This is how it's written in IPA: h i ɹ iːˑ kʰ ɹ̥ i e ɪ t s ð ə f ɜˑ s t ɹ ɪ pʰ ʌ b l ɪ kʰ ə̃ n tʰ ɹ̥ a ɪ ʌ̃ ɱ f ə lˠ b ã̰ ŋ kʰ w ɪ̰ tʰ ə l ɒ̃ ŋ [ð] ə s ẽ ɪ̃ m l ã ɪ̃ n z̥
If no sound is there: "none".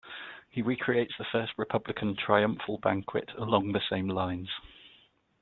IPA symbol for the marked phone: ð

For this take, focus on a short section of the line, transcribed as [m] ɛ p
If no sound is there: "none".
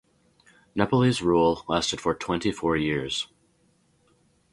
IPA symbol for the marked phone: n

